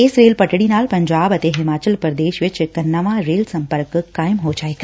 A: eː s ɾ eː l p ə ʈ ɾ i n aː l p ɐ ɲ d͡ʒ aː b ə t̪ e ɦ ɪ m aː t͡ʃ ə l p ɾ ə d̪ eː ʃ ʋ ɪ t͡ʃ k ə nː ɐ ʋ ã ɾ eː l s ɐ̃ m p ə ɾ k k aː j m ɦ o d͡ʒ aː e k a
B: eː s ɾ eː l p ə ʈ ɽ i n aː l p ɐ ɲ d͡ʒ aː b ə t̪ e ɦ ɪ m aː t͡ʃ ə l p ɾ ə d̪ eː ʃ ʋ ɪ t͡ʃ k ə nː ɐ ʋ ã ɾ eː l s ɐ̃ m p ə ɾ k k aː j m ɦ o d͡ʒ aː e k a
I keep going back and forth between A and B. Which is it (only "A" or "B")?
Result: B